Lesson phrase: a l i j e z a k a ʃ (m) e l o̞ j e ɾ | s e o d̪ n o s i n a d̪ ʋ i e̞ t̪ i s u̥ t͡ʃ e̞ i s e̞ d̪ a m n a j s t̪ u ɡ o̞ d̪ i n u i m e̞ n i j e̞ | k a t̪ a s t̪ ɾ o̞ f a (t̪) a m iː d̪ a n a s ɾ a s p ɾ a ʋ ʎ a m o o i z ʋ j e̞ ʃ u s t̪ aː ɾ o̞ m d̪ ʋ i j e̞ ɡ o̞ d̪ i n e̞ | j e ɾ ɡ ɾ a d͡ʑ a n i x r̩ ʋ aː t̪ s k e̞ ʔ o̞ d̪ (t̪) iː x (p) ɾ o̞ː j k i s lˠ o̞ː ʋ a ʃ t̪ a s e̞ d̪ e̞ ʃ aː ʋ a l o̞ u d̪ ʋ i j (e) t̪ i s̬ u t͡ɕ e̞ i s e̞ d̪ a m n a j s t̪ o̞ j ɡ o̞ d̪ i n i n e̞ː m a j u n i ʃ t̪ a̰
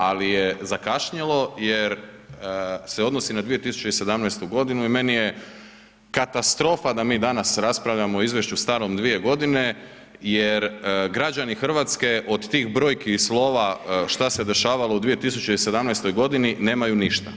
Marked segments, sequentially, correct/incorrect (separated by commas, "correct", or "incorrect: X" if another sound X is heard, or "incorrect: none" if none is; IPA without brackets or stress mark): incorrect: ɲ, incorrect: d̪, correct, incorrect: b, correct